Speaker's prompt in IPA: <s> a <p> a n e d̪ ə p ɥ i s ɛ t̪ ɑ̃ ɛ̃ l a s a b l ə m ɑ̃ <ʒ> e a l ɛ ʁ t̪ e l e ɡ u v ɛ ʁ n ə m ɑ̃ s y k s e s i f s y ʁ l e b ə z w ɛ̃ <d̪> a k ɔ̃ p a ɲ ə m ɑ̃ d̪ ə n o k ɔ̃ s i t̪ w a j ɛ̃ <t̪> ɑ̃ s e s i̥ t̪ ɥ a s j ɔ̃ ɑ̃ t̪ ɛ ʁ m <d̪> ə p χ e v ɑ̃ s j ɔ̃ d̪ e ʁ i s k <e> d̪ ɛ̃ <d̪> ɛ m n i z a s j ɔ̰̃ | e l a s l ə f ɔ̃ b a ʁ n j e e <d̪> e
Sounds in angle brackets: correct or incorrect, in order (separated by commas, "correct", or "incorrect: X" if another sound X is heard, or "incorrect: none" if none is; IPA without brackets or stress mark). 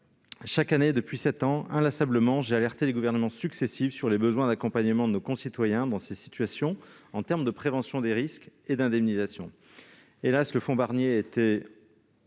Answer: incorrect: ʃ, incorrect: k, correct, correct, incorrect: d̪, correct, correct, correct, incorrect: t̪